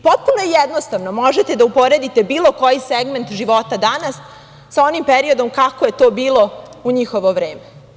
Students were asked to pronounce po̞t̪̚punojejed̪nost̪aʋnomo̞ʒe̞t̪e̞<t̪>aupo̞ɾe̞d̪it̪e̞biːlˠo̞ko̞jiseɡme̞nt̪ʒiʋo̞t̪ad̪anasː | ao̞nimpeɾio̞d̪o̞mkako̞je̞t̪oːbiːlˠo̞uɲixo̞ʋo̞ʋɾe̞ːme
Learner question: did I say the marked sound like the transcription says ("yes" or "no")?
no